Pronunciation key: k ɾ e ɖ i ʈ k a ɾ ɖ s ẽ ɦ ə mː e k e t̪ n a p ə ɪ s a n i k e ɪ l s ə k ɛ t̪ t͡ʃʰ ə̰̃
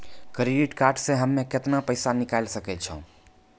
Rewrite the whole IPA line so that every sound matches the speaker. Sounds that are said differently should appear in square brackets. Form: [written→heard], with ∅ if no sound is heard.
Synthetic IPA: k ɾ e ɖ i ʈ k a ɾ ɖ s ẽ ɦ ə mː e k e t̪ n a p ə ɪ s a n i k [e→a] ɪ l s ə k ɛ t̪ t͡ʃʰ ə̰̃